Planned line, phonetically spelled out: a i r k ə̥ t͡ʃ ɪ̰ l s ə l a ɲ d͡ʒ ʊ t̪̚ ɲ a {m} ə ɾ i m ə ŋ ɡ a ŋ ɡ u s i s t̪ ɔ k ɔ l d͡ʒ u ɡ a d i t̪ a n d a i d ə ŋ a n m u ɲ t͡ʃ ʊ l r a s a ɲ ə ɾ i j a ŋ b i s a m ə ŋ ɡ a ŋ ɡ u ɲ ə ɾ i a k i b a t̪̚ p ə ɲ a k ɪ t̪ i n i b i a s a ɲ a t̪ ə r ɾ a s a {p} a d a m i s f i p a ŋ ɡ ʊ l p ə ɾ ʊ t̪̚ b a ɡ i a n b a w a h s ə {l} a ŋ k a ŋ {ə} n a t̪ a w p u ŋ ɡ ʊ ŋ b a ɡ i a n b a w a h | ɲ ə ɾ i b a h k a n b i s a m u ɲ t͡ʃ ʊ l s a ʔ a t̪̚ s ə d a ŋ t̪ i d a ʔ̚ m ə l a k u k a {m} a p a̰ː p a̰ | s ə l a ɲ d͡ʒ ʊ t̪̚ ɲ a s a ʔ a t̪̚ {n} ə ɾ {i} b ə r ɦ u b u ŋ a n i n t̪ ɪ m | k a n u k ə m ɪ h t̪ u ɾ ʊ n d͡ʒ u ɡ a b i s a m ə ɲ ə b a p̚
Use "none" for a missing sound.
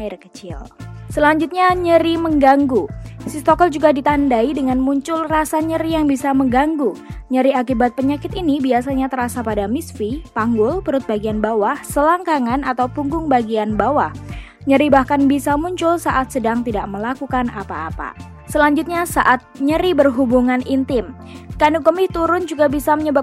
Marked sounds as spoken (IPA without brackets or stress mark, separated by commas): ɲ, p, l, a, n, ɲ, i